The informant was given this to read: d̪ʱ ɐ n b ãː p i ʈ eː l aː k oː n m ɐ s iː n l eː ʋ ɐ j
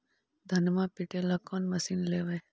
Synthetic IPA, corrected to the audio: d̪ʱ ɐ n m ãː p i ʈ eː l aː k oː n m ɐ s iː n l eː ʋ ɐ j